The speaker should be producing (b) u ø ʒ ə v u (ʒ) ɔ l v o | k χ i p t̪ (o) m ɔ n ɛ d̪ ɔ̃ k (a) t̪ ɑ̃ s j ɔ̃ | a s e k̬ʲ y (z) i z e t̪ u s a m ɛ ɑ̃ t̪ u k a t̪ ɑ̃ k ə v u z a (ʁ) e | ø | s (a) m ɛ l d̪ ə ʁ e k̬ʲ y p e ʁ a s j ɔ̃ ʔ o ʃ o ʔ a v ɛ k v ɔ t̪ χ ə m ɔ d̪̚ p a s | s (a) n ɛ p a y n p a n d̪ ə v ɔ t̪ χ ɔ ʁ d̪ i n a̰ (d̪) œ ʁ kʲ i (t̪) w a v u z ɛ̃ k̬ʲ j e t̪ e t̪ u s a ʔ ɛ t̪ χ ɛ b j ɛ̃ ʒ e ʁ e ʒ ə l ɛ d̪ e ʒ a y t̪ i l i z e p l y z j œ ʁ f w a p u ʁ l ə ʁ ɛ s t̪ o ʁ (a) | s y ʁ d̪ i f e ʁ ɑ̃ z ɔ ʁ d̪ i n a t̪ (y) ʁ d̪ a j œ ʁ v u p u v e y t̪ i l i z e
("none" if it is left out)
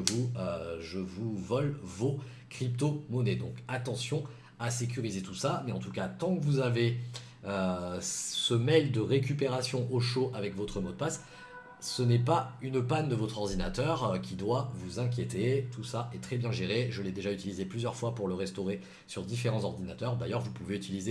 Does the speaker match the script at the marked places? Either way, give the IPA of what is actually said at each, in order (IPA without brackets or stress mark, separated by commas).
v, v, o, a, ʁ, v, ə, ə, t̪, d̪, e, œ